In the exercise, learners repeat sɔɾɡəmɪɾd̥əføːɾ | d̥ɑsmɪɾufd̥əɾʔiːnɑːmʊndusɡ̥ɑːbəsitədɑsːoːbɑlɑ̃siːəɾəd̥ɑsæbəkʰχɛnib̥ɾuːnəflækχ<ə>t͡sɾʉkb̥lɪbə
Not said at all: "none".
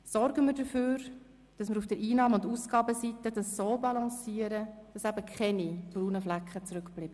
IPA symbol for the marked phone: ə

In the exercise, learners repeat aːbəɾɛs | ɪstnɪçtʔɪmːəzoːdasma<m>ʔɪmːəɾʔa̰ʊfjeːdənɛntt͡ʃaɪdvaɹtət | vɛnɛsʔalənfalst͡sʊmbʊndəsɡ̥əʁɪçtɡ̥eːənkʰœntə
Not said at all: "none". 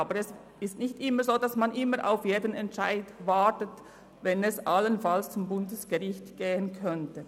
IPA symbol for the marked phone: n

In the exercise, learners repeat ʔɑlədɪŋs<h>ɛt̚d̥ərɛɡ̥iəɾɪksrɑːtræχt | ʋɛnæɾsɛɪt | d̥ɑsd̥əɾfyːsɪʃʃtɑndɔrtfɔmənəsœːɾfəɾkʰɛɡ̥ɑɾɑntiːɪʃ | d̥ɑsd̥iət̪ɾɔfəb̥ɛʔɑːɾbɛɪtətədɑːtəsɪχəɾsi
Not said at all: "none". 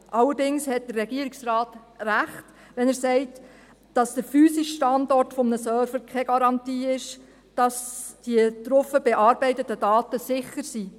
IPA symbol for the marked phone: h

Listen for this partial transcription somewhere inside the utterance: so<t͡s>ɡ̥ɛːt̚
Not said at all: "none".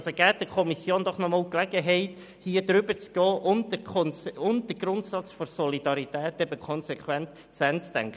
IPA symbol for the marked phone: none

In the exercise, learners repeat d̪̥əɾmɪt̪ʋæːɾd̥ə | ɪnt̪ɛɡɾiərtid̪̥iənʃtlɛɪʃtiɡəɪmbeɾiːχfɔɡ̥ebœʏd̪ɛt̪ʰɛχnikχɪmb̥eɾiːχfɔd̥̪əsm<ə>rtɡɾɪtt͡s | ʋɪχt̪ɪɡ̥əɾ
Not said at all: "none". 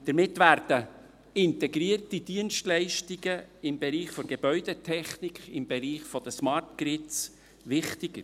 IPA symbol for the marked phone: ɑ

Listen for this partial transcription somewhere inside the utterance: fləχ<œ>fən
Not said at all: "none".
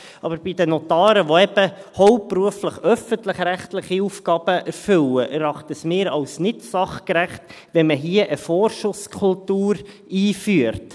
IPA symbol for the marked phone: œ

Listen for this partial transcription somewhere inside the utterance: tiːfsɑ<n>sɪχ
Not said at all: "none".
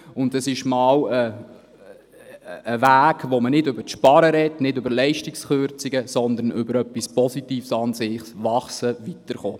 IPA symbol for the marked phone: n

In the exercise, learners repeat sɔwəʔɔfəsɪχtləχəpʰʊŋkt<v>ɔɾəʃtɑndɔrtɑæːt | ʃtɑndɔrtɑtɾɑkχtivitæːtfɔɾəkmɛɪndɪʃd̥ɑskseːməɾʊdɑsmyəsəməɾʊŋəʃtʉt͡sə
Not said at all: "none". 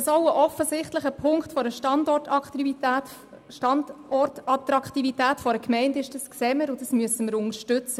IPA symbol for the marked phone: f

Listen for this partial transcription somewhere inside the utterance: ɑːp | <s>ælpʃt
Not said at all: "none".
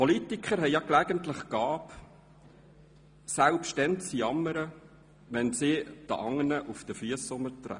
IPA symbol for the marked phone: s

